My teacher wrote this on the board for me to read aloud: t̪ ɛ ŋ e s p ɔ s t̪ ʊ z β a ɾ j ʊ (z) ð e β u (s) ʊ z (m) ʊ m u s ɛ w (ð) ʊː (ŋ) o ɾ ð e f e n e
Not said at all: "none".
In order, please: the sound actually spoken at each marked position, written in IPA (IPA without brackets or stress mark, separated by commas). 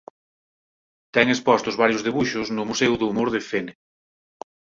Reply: z, ʃ, n, ð, m